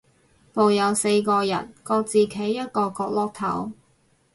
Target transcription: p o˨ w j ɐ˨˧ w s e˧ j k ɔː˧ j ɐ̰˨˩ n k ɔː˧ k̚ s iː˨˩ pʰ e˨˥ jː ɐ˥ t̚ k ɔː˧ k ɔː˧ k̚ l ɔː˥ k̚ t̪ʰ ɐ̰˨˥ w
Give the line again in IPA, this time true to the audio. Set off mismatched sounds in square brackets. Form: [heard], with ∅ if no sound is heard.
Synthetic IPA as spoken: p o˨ w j ɐ˨˧ w s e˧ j k ɔː˧ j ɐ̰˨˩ n k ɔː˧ k̚ [t͡s] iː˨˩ [kʰ] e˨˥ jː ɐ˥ t̚ k ɔː˧ k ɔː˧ k̚ l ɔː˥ k̚ t̪ʰ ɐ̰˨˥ w